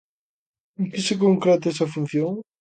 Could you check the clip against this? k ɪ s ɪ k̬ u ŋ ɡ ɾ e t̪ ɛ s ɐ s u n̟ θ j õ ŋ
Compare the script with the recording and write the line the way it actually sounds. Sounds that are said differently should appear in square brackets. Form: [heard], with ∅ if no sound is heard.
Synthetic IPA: k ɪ s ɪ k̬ [o] ŋ [k] ɾ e t̪ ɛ s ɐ [f] u n̟ θ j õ ŋ